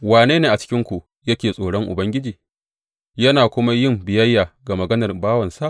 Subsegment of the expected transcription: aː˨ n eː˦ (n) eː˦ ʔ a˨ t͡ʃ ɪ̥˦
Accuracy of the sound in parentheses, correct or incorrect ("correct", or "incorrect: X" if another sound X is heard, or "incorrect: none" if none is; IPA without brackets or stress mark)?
correct